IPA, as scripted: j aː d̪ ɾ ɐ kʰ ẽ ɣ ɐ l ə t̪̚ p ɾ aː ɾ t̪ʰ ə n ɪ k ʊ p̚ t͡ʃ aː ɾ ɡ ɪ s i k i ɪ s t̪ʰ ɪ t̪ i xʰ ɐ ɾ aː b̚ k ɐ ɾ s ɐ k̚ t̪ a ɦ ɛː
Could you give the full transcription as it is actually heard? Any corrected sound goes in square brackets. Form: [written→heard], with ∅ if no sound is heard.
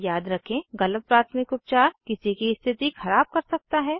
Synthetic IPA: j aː d̪ ɾ ɐ kʰ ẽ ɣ ɐ l ə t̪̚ p ɾ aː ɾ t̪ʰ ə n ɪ k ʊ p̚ t͡ʃ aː ɾ [ɡ→k] ɪ s i k i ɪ s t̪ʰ ɪ t̪ i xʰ ɐ ɾ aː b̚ k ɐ ɾ s ɐ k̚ t̪ a ɦ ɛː